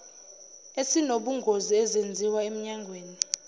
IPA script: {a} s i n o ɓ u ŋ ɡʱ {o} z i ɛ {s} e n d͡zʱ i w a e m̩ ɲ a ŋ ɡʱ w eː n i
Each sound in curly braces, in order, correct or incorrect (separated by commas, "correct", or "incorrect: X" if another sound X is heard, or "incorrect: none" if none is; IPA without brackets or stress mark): incorrect: e, correct, incorrect: z